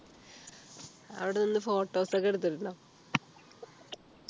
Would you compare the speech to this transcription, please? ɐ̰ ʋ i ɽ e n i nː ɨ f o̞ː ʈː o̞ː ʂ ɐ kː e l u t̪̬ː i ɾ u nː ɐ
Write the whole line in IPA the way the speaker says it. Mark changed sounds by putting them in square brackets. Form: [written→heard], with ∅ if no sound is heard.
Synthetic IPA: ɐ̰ ʋ i ɽ e n i nː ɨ f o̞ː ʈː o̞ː [ʂ→s] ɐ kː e [l→ɽ] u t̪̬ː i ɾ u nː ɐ